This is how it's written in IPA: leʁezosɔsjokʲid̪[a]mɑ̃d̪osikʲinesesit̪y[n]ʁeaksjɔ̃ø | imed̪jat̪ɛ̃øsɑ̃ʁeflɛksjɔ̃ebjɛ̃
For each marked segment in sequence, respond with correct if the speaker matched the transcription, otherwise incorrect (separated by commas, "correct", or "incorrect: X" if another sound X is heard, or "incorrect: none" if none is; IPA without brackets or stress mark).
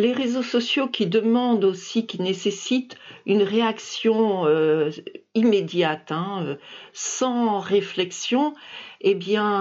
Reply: incorrect: ə, correct